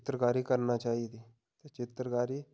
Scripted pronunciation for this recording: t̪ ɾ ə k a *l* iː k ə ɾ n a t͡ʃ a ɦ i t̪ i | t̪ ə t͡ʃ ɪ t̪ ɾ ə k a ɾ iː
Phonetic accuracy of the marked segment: incorrect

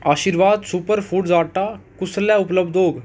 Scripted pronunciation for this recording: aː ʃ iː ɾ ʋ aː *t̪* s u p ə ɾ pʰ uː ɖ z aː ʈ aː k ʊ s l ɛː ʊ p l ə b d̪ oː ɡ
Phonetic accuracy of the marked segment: incorrect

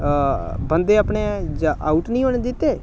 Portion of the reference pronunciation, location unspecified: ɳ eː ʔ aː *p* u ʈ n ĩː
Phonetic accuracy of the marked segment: incorrect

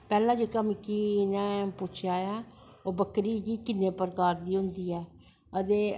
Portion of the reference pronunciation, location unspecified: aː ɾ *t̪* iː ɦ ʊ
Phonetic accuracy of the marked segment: incorrect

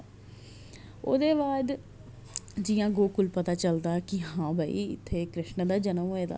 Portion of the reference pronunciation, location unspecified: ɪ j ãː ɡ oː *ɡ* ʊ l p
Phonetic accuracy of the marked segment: incorrect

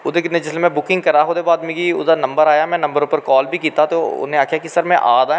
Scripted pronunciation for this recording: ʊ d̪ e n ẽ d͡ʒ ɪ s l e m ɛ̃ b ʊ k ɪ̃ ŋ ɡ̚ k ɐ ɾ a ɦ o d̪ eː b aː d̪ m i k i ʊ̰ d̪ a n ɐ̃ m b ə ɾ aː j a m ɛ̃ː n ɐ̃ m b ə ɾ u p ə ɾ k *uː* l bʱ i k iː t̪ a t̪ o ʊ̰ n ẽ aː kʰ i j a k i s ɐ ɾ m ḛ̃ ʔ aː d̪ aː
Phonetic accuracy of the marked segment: incorrect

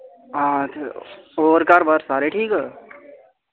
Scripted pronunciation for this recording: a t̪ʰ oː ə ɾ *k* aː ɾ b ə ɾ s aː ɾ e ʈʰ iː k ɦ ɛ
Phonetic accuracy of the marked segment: correct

